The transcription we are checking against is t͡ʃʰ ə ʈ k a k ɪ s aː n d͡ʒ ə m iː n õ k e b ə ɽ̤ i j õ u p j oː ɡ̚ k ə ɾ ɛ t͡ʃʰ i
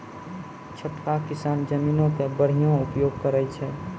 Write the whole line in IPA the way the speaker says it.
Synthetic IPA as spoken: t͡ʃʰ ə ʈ k a k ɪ s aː n d͡ʒ ə m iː n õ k e b ə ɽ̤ i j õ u p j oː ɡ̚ k ə ɾ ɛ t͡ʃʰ ɛ